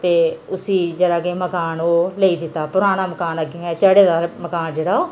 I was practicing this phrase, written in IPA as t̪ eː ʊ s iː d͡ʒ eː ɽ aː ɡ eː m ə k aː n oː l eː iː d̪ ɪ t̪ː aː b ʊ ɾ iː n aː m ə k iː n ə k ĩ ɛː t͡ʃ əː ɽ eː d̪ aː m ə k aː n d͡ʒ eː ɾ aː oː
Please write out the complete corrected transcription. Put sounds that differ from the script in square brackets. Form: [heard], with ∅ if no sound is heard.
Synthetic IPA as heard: t̪ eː ʊ s iː d͡ʒ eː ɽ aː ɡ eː m ə k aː n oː l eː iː d̪ ɪ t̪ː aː [p] ʊ ɾ [aː] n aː m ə k [aː] n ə [ɡ] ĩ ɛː t͡ʃ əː ɽ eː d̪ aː m ə k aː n d͡ʒ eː [ɽ] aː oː